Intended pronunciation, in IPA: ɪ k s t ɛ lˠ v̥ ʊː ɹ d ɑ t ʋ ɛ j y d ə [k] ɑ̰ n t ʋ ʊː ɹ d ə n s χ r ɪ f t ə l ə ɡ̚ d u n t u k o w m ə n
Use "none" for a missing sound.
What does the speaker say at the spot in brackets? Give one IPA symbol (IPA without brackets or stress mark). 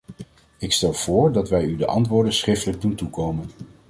ʔ